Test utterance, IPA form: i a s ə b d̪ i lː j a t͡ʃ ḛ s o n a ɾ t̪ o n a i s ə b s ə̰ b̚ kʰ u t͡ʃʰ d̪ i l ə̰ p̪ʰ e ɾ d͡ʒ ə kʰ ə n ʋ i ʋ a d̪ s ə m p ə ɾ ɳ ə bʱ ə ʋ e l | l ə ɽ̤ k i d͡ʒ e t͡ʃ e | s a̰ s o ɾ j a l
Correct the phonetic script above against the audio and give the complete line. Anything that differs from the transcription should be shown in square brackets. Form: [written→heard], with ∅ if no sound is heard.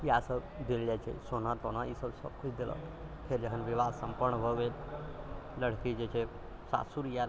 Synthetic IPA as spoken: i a s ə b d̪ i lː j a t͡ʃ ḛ s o n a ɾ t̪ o n a i s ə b s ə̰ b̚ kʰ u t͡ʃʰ d̪ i l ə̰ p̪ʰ e ɾ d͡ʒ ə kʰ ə n ʋ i ʋ a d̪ s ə m p ə ɾ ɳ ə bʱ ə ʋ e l | l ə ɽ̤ k i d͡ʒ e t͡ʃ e | s a̰ s [o→u] ɾ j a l